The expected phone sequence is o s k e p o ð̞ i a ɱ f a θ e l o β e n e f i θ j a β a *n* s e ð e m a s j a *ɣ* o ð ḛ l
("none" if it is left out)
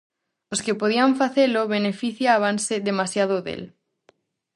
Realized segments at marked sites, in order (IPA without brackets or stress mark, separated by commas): n, ð